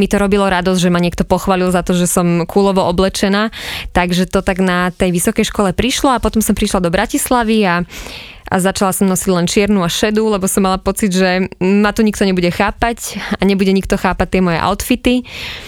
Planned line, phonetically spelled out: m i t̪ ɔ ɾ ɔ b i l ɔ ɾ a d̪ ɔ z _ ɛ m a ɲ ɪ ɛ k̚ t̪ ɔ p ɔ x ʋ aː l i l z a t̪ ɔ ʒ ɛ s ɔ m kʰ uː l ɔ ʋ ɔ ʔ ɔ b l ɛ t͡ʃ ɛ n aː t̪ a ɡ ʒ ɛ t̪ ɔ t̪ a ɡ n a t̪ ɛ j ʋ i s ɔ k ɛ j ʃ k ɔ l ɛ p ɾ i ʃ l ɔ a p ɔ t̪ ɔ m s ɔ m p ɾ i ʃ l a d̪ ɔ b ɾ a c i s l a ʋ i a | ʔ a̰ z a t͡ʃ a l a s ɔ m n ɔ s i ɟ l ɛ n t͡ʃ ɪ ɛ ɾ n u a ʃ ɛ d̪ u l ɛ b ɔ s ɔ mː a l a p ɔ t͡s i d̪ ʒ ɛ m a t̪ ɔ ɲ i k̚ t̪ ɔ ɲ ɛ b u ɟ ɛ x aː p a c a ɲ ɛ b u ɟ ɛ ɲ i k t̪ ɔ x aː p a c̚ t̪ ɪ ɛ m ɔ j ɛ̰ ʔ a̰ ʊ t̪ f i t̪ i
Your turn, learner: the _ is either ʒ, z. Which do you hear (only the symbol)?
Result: ʒ